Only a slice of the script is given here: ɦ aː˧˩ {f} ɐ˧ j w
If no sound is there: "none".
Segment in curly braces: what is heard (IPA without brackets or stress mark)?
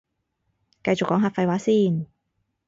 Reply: f